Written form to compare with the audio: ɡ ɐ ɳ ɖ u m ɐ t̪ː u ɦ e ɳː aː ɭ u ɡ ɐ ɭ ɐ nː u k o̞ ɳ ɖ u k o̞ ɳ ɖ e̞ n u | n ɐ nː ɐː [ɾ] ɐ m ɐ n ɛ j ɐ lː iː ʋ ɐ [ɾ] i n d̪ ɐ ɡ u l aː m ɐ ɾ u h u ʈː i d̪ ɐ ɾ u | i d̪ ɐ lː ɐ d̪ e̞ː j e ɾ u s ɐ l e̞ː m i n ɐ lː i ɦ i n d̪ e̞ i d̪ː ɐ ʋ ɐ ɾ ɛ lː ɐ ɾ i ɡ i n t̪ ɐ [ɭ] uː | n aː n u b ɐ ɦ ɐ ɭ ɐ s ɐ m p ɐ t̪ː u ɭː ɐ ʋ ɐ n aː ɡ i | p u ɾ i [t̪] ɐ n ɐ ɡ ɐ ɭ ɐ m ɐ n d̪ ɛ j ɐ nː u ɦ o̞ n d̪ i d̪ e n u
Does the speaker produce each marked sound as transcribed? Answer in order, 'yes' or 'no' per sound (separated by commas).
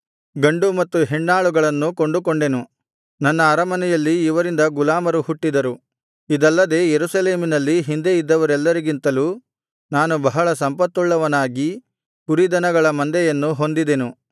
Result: yes, yes, no, no